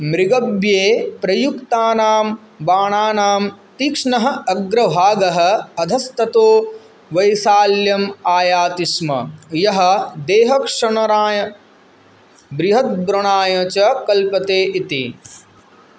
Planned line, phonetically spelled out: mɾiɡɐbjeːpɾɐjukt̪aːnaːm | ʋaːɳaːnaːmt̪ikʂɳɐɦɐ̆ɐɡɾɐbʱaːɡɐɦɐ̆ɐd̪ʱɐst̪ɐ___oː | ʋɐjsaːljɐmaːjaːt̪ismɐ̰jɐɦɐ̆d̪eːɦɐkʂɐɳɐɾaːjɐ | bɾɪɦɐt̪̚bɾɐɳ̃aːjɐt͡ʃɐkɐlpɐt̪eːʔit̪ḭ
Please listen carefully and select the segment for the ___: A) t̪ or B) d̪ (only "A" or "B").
A